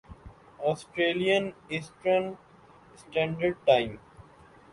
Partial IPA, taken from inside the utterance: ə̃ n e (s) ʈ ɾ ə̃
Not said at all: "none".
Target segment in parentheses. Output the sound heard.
s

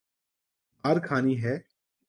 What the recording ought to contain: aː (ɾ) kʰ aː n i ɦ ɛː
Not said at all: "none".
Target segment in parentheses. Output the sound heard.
ɾ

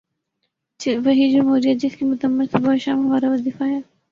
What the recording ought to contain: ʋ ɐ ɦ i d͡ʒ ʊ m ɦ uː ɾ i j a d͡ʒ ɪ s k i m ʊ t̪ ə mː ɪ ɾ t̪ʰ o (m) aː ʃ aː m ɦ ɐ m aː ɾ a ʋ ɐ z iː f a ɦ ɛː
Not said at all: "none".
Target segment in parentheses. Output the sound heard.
b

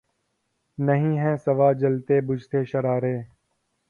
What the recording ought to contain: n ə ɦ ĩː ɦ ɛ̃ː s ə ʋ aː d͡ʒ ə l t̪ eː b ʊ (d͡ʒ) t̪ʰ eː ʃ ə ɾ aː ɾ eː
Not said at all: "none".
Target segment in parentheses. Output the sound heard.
d͡ʒ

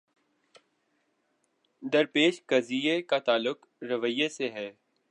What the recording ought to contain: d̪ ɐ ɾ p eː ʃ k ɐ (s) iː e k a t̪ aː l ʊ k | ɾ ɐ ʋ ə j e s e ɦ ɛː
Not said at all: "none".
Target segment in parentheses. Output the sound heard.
z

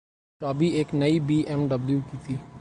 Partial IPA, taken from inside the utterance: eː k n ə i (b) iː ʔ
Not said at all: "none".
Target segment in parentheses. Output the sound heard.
b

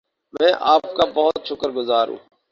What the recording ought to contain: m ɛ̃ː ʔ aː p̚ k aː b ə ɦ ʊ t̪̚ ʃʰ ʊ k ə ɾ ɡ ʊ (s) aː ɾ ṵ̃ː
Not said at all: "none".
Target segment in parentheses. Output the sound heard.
z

